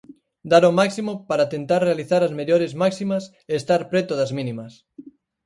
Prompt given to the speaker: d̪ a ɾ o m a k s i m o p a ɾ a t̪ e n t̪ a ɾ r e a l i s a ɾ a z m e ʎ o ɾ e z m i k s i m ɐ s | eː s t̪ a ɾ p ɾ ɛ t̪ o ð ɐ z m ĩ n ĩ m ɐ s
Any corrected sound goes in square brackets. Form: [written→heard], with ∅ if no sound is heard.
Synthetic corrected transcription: d̪ a ɾ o m a k s i m o p a ɾ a t̪ e n t̪ a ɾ r e a l i [s→θ] a ɾ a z m e ʎ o ɾ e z m [i→a] k s i m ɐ s | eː s t̪ a ɾ p ɾ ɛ t̪ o ð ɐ z m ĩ n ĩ m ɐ s